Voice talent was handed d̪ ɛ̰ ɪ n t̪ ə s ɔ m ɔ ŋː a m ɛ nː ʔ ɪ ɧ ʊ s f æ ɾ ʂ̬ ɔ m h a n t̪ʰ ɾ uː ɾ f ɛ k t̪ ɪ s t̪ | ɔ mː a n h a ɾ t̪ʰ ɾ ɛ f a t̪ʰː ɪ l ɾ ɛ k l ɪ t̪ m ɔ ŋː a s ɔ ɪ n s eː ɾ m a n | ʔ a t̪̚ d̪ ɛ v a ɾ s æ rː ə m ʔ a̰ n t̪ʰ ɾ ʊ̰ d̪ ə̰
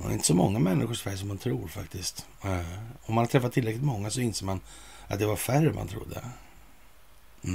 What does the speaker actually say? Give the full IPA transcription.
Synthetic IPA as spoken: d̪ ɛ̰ ɪ n t̪ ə s ɔ m ɔ ŋː a m ɛ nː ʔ ɪ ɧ ʊ ʂ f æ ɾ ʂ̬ ɔ m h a n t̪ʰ ɾ uː ɾ f a k t̪ ɪ s t̪ | ɔ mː a n h a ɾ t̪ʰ ɾ ɛ f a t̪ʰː ɪ l ɾ ɛ k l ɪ t̪ m ɔ ŋː a s ɔ ɪ n s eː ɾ m a n | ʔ a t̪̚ d̪ ɛ v a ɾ f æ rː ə m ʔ a̰ n t̪ʰ ɾ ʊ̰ d̪ː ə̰